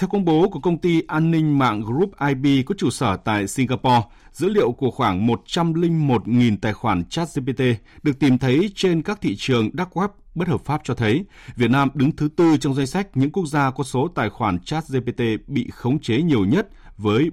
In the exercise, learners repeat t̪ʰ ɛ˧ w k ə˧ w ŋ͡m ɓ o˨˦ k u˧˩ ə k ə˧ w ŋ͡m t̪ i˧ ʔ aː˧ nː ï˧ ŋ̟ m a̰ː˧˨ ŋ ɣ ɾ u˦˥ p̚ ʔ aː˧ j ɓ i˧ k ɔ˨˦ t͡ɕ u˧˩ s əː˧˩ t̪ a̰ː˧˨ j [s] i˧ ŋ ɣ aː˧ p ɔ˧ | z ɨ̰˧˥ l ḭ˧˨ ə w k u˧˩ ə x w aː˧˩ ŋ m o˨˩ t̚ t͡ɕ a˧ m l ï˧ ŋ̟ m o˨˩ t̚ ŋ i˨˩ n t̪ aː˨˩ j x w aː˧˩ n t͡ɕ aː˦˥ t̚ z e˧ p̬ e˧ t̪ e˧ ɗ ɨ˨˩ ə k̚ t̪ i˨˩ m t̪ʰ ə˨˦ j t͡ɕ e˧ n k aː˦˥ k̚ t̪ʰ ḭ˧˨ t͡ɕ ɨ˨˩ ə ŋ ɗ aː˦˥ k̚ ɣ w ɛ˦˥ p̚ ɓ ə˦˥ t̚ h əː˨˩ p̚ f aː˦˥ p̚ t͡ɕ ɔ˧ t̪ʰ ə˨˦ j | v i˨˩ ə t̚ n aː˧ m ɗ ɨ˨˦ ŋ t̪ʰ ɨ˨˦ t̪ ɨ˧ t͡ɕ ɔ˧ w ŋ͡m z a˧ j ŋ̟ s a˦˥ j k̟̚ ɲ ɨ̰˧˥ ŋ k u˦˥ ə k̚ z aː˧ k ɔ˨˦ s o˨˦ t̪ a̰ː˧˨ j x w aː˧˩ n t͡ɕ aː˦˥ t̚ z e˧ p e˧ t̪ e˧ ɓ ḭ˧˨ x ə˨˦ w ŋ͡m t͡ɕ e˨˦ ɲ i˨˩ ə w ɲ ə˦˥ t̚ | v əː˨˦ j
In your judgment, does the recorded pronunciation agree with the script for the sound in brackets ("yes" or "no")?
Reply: yes